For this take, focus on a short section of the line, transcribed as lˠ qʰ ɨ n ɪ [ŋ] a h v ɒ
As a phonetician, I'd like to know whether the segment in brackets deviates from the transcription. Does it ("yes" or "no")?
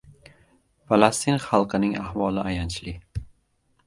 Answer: no